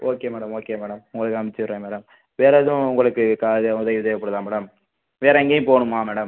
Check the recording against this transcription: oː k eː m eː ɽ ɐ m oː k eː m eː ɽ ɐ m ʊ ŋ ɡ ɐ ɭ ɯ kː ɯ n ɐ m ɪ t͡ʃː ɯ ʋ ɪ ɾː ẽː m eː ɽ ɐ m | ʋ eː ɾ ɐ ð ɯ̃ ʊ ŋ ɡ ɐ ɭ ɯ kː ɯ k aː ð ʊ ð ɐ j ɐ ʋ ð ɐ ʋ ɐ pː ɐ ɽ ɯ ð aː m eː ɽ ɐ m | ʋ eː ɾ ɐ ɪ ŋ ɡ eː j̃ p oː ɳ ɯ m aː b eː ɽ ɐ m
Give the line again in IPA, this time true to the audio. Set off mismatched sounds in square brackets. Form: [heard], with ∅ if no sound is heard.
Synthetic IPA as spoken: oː k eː m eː ɽ ɐ m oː k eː m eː ɽ ɐ m ʊ ŋ ɡ ɐ ɭ ɯ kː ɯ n ɐ m ɪ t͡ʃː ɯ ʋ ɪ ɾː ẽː m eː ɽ ɐ m | ʋ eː ɾ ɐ ð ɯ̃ ʊ ŋ ɡ ɐ ɭ ɯ kː ɯ k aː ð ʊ ð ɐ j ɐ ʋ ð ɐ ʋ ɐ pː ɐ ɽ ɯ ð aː m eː ɽ ɐ m | ʋ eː ɾ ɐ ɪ ŋ ɡ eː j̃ p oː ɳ ɯ m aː [m] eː ɽ ɐ m